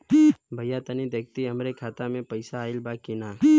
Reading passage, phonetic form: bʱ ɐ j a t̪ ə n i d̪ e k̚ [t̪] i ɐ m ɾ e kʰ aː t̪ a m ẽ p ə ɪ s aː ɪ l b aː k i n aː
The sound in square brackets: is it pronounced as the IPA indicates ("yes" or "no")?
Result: yes